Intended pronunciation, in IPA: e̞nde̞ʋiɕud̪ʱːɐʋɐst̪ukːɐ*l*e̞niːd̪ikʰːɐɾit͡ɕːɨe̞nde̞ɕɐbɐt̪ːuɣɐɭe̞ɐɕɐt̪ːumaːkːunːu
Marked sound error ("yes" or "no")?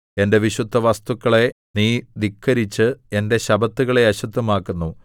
yes